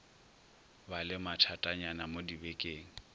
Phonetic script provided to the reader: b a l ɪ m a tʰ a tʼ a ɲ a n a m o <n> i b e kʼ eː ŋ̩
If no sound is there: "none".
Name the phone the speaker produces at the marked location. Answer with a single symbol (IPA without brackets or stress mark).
d